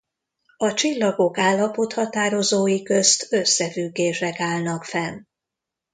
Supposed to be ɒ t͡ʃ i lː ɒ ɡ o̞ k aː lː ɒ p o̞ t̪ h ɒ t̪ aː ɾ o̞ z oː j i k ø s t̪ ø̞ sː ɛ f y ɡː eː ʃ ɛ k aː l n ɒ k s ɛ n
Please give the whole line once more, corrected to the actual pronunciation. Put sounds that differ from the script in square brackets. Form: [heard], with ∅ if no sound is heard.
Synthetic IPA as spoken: ɒ t͡ʃ i lː ɒ ɡ o̞ k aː lː ɒ p o̞ t̪ h ɒ t̪ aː ɾ o̞ z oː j i k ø s t̪ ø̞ sː ɛ f y ɡː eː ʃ ɛ k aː l n ɒ k [f] ɛ n